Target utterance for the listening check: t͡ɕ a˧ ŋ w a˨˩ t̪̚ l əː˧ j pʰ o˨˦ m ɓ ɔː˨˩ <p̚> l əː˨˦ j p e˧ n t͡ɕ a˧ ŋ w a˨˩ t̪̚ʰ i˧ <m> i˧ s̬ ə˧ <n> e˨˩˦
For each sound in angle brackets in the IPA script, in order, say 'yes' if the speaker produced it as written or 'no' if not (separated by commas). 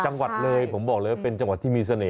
no, yes, yes